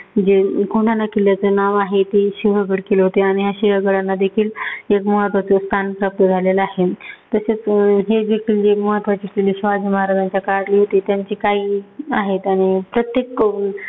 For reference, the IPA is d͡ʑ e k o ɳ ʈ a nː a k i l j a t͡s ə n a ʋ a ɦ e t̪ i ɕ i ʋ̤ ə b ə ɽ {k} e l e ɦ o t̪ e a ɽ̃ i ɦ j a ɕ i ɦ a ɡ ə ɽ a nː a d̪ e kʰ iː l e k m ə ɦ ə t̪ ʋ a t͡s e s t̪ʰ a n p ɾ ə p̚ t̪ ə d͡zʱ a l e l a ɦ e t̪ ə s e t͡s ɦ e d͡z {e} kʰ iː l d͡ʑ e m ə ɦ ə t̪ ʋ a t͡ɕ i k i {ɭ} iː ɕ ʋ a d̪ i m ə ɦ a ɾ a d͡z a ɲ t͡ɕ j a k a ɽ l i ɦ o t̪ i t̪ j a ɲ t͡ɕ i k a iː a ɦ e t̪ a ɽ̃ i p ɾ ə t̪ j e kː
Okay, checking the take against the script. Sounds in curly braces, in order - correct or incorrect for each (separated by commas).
correct, correct, incorrect